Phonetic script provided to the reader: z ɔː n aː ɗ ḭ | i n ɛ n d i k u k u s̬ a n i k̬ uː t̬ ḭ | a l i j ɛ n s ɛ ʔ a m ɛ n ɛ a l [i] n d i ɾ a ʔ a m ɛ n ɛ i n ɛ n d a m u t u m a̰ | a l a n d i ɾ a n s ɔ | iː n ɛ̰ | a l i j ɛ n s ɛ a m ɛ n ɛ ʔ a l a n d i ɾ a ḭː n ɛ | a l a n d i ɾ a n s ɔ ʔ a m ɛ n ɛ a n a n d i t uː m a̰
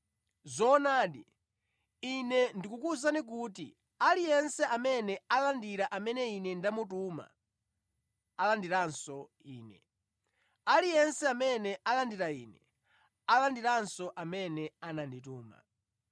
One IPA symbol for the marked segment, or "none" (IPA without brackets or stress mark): a